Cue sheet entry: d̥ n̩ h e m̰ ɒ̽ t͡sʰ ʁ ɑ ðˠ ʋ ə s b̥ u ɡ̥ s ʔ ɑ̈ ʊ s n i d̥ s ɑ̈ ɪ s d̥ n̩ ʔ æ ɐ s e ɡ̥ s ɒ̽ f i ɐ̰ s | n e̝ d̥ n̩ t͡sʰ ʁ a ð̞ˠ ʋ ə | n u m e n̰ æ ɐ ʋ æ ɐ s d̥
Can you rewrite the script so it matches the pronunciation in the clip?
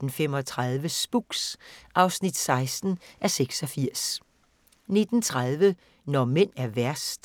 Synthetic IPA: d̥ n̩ f e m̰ ɒ̽ t͡sʰ ʁ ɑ ðˠ ʋ ə s b̥ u ɡ̥ s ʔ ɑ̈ ʊ s n i d̥ s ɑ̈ ɪ s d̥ n̩ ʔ æ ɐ s e ɡ̥ s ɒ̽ f i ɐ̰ s | n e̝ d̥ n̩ t͡sʰ ʁ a ð̞ˠ ʋ ə | n ɒ m e n̰ æ ɐ ʋ æ ɐ s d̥